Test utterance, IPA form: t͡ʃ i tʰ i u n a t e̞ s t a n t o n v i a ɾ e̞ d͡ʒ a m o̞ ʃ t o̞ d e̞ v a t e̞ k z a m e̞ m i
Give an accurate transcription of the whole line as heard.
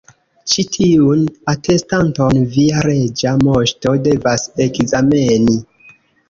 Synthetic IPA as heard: t͡ʃ i tʰ i u n a t e̞ s t a n t o n v i a ɾ e̞ d͡ʒ a m o̞ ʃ t o̞ d e̞ v a s e̞ k z a m e̞ n i